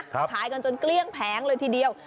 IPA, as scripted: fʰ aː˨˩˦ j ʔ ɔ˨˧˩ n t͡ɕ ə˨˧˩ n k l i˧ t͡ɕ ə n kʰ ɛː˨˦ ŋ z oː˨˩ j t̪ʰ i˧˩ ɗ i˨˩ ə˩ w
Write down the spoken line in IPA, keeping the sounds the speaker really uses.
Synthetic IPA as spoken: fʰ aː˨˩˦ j k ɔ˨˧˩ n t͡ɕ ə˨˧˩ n k l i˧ ə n pʰ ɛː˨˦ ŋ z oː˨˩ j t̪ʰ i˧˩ ɗ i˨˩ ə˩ w